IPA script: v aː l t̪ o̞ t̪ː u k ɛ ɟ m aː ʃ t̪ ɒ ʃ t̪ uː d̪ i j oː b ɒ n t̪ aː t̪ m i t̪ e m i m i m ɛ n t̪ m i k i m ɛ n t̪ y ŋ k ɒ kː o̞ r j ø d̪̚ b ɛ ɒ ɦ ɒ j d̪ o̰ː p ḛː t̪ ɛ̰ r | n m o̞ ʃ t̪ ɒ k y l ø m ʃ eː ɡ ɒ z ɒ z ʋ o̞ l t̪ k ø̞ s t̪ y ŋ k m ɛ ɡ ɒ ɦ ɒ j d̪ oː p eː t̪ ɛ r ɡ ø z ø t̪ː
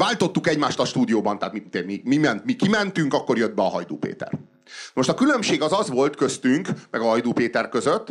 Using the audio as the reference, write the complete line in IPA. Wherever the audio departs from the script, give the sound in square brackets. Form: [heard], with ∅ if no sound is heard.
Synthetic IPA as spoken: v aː l t̪ o̞ t̪ː u k ɛ ɟ m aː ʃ t̪ ɒ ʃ t̪ uː d̪ i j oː b ɒ n t̪ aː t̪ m i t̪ e m i m i m ɛ n t̪ m i k i m ɛ n t̪ y ŋ k ɒ kː o̞ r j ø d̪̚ b ɛ ɒ ɦ ɒ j d̪ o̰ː p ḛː t̪ ɛ̰ r | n m o̞ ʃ t̪ ɒ k y l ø m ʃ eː ɡ ɒ z ɒ z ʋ o̞ l t̪ k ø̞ s t̪ y ŋ k m ɛ ɡ ɒ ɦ ɒ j d̪ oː p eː t̪ ɛ r [k] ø z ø t̪ː